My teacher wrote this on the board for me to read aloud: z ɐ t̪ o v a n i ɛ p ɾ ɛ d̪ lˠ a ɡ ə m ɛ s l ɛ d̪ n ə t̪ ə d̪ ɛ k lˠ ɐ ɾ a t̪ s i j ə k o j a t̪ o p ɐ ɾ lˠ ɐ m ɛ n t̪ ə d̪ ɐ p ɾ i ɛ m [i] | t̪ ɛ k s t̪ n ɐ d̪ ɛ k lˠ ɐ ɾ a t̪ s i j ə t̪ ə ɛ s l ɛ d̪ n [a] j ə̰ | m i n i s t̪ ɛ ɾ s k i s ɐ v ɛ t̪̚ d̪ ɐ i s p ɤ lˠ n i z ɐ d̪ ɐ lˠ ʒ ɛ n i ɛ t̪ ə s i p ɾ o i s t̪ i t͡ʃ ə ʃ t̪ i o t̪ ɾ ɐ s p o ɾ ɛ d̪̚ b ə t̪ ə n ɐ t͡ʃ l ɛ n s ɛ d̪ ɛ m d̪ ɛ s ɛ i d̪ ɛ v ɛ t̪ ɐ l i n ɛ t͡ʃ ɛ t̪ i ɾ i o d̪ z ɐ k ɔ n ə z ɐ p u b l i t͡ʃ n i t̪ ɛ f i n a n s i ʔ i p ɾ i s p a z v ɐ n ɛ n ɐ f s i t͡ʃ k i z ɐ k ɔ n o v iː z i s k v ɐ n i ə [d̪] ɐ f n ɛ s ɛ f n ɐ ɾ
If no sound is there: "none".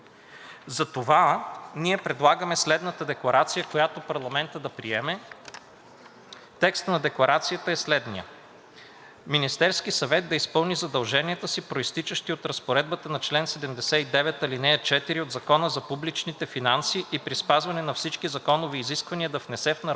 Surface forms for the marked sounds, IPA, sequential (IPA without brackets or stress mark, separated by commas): ɛ, i, d̪